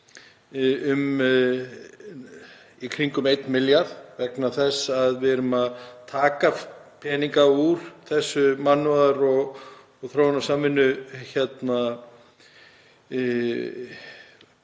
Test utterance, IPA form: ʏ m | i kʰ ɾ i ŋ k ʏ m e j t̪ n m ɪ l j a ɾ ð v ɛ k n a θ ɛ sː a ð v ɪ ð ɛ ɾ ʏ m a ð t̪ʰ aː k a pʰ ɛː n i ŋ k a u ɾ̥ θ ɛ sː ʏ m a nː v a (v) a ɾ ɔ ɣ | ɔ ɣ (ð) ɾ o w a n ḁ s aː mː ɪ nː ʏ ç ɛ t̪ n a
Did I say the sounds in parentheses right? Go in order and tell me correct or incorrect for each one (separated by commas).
incorrect, incorrect